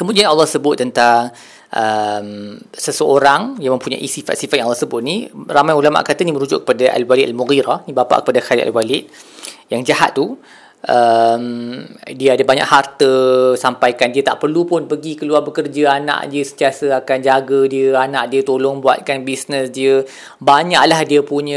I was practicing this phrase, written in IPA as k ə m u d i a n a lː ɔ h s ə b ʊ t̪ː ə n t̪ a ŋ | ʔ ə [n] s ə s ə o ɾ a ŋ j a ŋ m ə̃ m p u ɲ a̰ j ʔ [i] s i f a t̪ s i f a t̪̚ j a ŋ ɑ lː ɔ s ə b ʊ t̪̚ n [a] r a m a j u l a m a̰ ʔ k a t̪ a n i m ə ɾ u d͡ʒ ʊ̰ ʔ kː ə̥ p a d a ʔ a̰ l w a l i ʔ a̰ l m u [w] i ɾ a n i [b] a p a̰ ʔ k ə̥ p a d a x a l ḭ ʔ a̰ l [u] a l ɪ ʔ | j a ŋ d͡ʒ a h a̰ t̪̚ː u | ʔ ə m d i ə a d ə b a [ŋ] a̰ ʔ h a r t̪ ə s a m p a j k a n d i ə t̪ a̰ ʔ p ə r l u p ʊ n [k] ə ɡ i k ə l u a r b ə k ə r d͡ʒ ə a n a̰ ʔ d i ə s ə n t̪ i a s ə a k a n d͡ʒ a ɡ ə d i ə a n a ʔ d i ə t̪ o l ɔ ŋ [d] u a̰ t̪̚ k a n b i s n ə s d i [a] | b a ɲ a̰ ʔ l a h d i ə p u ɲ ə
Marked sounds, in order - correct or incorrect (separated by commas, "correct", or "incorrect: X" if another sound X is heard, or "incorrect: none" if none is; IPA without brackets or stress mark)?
incorrect: m, correct, incorrect: i, incorrect: ɣ, correct, incorrect: w, incorrect: ɲ, incorrect: p, incorrect: b, incorrect: ə